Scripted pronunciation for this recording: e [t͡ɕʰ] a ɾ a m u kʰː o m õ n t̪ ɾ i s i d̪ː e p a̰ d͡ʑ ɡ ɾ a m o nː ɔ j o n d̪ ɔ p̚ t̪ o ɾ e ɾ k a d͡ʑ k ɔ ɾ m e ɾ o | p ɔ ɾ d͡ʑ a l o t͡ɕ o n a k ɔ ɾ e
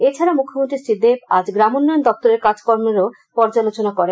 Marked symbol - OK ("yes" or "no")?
yes